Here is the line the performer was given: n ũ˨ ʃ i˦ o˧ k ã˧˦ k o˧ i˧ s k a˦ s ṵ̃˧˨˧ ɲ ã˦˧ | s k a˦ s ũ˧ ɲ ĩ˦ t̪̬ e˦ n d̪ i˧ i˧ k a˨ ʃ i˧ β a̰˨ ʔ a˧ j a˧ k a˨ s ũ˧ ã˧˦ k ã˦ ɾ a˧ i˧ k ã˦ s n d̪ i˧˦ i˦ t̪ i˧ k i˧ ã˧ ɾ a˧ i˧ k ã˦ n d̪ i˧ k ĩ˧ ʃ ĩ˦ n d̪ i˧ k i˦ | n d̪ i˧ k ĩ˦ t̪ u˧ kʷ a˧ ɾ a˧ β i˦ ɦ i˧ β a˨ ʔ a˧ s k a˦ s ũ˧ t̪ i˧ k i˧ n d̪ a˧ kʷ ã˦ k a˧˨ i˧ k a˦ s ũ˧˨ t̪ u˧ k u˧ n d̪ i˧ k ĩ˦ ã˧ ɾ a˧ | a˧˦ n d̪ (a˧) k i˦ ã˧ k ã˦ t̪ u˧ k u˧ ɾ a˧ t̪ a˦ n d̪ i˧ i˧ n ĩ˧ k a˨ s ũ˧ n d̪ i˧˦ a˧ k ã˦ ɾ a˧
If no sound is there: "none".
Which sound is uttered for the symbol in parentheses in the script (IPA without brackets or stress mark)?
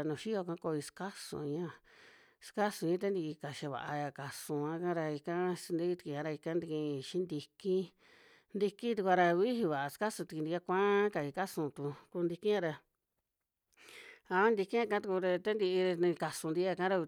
i˧